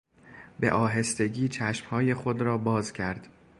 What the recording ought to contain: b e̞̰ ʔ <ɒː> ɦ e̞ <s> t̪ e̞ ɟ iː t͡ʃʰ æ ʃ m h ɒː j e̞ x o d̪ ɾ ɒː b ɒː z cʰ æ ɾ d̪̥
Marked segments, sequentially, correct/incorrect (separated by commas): correct, correct